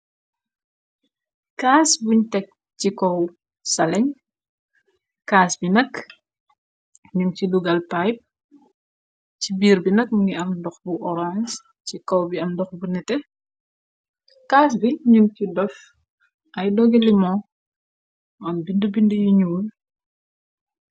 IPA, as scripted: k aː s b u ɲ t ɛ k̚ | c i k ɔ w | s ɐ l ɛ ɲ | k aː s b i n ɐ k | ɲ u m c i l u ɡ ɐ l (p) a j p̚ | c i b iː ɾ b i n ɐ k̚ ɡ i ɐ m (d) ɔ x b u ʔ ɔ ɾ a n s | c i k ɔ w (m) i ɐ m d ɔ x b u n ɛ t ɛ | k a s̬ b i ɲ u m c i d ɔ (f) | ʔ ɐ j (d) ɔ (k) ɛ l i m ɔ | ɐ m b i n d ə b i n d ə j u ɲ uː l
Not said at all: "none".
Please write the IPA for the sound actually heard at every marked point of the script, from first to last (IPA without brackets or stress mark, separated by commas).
p, d, b, f, d, ɡ